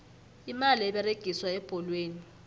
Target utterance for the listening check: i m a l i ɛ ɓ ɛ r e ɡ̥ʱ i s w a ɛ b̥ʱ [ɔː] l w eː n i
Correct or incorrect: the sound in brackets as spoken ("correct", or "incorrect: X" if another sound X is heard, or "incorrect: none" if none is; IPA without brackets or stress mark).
incorrect: ɔ